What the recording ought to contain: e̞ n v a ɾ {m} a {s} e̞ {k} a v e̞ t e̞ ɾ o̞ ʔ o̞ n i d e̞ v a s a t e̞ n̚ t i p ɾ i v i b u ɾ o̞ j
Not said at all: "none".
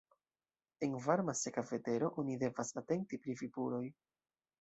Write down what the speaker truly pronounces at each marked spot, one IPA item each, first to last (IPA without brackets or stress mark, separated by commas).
m, s, k